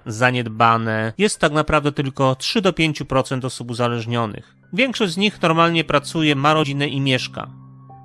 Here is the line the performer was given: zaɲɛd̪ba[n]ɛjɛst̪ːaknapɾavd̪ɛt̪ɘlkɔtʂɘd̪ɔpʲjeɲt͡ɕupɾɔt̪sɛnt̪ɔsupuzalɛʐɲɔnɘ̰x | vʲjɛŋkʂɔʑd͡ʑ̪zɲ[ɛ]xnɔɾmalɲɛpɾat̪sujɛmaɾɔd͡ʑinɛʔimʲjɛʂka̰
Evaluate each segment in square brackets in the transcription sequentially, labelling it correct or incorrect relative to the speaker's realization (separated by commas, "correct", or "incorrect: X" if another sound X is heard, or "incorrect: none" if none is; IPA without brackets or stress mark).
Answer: correct, incorrect: i